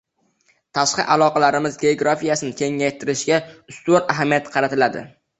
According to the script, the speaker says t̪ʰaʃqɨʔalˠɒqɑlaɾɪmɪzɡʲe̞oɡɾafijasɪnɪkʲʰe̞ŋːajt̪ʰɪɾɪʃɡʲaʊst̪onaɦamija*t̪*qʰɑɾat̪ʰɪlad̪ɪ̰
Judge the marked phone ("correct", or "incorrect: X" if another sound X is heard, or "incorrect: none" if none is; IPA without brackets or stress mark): correct